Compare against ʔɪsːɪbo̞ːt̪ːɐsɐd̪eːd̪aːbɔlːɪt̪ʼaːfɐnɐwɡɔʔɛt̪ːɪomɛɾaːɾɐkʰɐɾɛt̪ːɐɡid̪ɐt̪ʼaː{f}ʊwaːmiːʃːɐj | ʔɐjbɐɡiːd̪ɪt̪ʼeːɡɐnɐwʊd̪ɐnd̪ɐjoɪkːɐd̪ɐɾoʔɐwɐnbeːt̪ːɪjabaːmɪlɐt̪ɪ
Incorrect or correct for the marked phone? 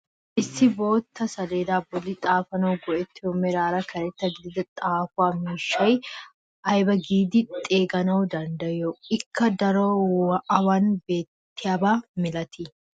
correct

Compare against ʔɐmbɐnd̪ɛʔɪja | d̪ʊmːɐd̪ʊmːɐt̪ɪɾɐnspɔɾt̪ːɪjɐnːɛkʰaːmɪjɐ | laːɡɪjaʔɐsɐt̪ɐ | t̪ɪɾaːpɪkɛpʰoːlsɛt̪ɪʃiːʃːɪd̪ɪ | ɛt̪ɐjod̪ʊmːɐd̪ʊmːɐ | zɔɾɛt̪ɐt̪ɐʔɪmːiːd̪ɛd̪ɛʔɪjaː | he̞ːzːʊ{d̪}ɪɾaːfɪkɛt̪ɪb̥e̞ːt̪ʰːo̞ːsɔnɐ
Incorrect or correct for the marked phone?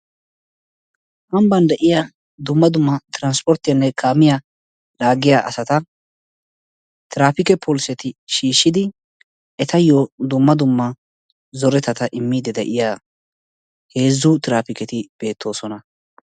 incorrect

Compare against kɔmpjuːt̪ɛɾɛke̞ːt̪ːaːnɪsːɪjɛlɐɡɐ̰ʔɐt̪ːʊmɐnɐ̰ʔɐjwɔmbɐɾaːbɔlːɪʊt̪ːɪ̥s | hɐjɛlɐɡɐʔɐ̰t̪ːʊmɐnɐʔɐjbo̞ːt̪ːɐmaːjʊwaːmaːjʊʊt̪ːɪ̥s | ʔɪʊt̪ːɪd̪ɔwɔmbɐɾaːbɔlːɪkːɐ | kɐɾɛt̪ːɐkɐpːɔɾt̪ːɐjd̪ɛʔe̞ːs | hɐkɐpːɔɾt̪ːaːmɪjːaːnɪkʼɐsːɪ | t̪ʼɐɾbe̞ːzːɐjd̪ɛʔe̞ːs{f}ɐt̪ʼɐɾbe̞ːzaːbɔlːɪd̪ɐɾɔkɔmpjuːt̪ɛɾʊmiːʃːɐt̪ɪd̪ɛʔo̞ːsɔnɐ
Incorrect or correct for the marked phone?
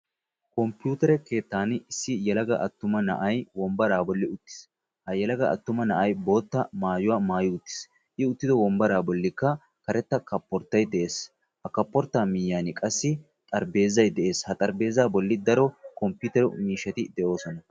incorrect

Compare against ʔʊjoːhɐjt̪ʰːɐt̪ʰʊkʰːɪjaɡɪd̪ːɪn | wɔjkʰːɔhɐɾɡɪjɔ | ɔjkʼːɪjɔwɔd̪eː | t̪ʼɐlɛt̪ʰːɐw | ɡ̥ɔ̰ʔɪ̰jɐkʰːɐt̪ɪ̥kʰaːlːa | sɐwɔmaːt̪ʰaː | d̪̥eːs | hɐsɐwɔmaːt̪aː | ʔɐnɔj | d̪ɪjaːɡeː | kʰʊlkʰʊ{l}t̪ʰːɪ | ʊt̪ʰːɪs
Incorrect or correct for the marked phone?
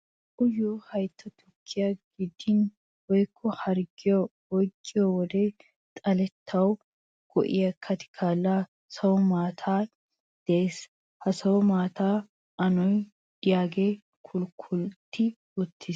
correct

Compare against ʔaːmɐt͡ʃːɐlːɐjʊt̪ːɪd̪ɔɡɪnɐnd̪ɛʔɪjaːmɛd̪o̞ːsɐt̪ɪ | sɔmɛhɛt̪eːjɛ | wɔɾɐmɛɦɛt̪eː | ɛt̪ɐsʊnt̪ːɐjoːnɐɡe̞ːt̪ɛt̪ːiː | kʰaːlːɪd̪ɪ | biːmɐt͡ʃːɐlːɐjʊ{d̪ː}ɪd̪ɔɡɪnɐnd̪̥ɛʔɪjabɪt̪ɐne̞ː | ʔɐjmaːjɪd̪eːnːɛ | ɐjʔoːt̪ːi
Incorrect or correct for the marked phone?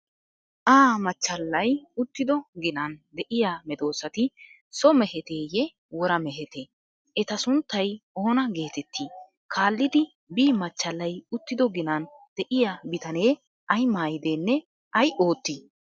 incorrect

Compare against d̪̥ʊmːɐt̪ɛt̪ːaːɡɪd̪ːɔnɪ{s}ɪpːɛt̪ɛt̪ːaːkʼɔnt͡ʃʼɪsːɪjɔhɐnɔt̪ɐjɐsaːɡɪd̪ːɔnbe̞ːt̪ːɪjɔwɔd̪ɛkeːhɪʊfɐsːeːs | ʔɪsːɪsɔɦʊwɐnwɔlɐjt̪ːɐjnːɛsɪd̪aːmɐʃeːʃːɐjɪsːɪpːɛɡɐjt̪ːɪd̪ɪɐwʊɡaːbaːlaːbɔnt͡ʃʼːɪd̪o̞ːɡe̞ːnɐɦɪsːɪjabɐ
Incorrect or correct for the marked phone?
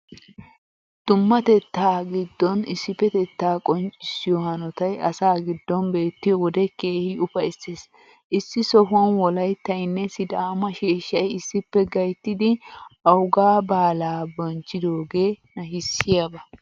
incorrect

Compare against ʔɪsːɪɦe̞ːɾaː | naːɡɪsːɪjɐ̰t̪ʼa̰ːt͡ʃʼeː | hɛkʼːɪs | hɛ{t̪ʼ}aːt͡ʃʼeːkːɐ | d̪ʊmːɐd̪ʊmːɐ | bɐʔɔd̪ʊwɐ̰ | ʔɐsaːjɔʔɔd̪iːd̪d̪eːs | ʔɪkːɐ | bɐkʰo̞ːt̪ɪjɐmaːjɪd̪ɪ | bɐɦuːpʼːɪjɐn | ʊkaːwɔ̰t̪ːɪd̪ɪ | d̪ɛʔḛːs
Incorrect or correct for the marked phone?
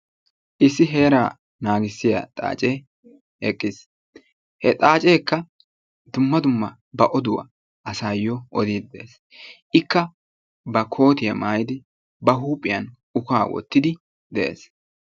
correct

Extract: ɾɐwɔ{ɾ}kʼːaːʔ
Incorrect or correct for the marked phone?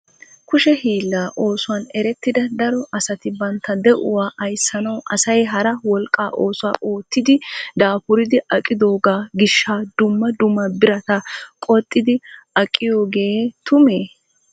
incorrect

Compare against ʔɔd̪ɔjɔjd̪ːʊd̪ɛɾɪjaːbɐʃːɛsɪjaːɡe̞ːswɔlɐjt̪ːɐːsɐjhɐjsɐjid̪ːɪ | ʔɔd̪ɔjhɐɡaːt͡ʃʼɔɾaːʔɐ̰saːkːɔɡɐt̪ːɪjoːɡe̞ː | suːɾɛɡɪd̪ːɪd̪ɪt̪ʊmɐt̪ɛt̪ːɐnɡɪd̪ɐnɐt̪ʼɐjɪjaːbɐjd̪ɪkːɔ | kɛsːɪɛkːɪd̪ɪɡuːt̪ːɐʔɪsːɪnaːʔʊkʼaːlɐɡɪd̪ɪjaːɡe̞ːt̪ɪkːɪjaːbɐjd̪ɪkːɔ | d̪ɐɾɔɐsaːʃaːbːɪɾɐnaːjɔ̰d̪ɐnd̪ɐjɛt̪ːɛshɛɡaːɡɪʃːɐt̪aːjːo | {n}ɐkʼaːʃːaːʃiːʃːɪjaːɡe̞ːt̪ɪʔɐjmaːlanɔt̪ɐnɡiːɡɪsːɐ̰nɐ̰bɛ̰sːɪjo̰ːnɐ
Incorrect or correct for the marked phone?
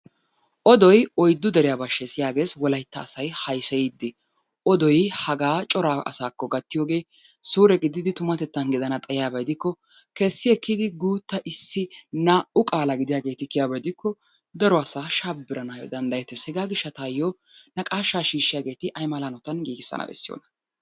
correct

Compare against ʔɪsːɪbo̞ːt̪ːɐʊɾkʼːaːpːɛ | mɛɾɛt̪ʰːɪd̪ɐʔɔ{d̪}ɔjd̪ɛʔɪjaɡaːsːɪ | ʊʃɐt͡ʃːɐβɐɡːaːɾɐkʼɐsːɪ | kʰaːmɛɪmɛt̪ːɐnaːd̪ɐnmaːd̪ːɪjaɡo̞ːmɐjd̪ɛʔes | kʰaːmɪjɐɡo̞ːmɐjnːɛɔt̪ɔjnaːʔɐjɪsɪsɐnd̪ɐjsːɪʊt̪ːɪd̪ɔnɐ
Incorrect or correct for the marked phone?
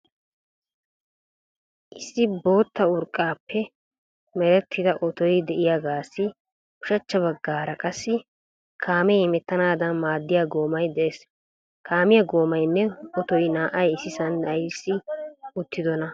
incorrect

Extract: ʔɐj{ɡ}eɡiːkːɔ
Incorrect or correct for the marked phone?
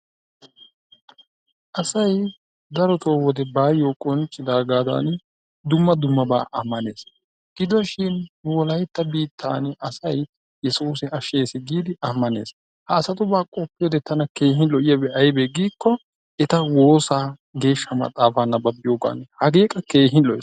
incorrect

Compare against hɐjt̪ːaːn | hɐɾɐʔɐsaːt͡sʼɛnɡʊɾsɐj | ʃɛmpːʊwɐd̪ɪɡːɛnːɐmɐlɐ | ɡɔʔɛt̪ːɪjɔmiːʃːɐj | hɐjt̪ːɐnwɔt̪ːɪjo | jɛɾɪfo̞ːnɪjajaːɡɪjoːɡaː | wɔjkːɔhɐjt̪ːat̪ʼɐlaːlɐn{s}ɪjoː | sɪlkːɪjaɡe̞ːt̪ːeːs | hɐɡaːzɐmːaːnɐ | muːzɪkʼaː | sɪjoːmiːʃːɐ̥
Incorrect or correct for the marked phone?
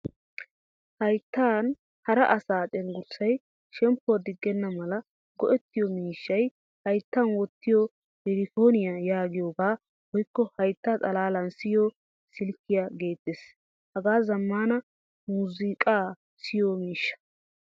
correct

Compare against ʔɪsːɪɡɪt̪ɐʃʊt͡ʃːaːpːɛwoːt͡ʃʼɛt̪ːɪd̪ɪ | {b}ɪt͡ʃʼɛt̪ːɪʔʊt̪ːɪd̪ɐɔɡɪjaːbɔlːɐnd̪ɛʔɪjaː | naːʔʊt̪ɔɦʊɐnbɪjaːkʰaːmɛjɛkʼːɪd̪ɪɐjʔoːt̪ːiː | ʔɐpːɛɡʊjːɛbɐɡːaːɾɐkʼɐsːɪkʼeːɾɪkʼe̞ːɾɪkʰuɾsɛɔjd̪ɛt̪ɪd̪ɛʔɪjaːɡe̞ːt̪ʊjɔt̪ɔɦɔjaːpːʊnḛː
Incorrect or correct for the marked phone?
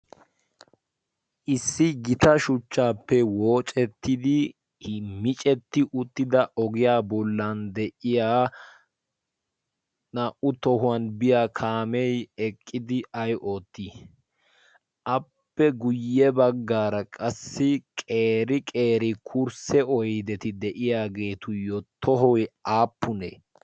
incorrect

